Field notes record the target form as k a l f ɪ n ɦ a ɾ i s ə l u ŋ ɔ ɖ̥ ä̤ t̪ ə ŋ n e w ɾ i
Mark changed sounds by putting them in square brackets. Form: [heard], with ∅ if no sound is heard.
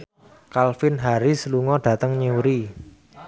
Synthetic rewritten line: k a l f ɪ n ɦ a ɾ i s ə l u ŋ ɔ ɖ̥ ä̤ t̪ ə ŋ [ɲ] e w ɾ i